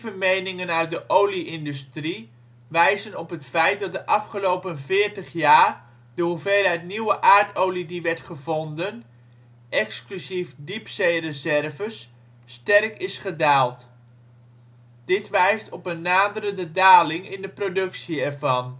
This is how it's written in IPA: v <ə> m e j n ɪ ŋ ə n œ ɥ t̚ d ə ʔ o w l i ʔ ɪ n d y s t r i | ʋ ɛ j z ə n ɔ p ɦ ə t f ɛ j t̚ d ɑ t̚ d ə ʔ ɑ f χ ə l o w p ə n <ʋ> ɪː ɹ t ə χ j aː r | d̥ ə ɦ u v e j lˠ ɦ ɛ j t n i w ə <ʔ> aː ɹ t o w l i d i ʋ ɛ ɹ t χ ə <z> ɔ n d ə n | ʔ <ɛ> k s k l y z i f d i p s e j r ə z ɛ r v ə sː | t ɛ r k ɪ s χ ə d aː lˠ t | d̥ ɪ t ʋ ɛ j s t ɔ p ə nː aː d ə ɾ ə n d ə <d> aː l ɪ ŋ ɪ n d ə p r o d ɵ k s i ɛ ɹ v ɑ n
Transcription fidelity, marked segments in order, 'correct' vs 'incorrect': correct, incorrect, correct, incorrect, correct, correct

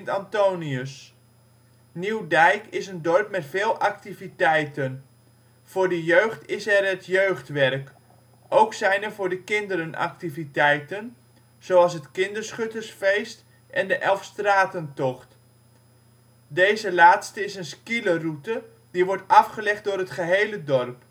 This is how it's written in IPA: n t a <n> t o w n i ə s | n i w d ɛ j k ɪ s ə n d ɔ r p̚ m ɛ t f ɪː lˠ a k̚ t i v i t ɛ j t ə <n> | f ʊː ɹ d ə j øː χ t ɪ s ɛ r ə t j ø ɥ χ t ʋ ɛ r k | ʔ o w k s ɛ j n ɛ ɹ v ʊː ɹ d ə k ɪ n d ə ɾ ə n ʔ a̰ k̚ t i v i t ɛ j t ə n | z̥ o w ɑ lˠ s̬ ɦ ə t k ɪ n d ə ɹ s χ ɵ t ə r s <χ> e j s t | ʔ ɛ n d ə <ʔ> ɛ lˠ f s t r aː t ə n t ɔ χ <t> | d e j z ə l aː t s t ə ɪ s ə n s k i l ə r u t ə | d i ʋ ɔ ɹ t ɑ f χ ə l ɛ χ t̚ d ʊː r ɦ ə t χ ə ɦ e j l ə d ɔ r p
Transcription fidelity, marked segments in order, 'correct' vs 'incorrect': correct, correct, incorrect, correct, correct

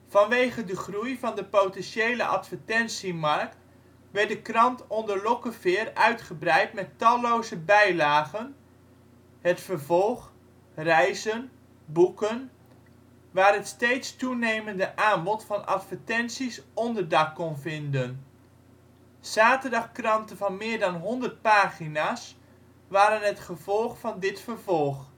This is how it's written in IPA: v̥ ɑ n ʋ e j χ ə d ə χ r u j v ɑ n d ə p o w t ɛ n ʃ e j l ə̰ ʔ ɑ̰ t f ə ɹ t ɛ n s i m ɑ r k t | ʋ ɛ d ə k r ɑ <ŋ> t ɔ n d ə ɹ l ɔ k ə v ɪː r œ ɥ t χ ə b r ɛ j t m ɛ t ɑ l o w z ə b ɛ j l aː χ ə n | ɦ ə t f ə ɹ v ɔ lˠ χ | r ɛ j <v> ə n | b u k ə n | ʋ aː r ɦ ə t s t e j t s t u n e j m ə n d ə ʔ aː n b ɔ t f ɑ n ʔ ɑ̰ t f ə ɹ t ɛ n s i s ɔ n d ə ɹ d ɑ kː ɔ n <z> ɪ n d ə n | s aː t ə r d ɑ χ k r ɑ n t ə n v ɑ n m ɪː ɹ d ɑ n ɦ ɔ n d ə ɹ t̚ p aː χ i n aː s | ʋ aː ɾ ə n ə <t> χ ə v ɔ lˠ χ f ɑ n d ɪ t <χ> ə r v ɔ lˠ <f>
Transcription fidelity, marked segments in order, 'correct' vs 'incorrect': incorrect, incorrect, incorrect, correct, incorrect, incorrect

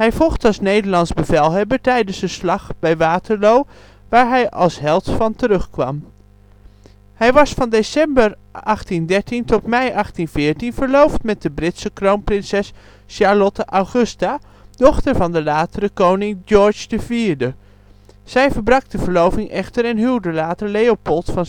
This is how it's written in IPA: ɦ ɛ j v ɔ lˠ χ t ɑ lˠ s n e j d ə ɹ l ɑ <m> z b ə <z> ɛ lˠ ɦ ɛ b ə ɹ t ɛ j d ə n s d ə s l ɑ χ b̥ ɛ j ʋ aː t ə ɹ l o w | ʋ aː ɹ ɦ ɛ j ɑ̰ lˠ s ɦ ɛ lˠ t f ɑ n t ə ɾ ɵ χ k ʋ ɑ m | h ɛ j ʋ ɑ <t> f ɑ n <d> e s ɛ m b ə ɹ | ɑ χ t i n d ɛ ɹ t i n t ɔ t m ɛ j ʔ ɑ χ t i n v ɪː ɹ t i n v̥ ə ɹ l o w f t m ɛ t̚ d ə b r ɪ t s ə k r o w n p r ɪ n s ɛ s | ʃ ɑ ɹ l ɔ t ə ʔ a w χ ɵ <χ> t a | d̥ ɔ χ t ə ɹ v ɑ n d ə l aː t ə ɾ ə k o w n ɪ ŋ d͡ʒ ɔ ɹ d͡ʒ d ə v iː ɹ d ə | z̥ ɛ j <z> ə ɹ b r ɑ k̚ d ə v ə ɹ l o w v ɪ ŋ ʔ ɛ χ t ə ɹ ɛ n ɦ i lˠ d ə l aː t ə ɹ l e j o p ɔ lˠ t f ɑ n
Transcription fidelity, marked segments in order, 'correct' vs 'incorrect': incorrect, incorrect, incorrect, correct, incorrect, incorrect

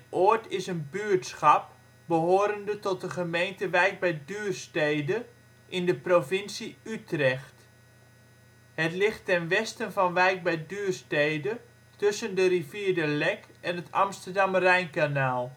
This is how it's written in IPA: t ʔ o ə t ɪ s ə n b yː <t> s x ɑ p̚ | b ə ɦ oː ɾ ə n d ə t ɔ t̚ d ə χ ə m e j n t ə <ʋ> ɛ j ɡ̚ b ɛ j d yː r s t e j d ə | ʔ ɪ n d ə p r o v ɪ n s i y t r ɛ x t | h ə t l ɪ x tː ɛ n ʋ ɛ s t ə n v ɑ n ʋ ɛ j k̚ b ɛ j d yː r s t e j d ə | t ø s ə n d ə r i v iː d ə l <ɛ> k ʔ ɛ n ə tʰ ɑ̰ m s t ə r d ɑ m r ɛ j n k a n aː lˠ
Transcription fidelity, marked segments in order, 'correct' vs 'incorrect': correct, correct, correct

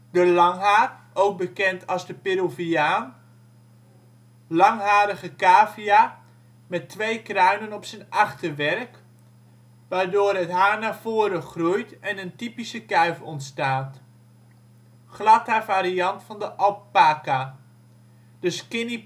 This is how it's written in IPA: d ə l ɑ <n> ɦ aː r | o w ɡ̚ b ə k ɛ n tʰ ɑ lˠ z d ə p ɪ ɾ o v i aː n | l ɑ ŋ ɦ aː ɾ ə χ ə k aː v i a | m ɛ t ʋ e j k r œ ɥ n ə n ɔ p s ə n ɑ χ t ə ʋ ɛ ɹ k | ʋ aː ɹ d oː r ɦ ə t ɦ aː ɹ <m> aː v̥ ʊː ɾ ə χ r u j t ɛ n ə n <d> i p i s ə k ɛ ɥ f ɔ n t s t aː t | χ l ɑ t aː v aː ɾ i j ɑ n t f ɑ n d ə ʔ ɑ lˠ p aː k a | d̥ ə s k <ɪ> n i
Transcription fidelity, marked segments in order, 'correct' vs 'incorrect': incorrect, incorrect, incorrect, correct

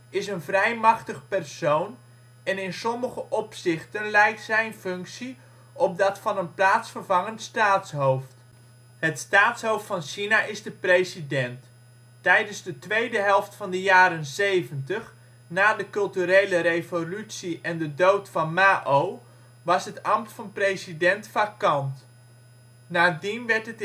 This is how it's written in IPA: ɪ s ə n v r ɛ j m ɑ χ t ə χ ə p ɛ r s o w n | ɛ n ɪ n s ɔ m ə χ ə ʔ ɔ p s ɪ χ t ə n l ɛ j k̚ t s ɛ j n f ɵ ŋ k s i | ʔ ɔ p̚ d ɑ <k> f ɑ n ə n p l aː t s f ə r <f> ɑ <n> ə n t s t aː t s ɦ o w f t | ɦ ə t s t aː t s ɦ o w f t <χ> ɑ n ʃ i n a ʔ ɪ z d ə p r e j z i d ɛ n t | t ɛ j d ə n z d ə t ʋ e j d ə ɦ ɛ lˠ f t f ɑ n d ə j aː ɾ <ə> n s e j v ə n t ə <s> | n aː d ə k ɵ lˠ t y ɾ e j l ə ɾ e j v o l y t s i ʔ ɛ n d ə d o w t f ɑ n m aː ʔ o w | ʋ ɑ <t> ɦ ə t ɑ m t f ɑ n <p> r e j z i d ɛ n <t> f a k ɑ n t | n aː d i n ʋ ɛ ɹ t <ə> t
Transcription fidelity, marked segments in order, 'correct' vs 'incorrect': incorrect, incorrect, incorrect, incorrect, correct, incorrect, incorrect, correct, correct, correct

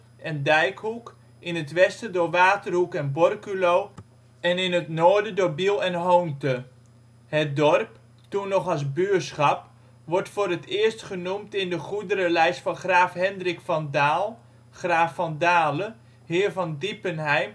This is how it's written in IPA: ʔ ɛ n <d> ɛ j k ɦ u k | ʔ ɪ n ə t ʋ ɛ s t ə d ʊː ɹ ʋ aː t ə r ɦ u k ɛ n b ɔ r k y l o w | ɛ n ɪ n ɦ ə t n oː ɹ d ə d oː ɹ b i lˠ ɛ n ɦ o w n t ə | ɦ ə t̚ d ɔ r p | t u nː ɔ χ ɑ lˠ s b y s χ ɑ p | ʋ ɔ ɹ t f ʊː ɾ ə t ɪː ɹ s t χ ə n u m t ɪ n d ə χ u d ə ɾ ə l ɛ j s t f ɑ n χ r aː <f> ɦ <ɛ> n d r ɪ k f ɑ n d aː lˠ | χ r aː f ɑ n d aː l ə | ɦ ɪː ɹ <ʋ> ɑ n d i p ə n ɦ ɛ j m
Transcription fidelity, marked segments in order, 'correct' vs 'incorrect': correct, correct, correct, incorrect

